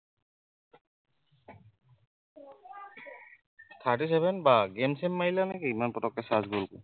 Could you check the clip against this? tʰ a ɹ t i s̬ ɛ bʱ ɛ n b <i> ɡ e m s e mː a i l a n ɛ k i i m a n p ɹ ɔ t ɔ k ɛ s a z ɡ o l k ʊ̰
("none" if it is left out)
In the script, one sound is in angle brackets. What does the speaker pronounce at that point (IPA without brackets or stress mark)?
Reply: a